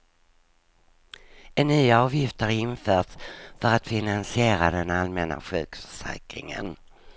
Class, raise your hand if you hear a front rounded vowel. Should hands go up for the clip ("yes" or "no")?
yes